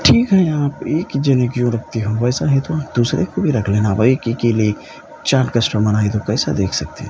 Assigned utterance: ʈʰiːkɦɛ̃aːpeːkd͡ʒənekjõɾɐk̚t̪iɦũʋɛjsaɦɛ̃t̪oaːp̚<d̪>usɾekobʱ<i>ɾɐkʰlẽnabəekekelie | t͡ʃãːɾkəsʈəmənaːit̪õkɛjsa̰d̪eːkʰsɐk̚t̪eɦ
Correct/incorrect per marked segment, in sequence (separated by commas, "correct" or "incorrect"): correct, correct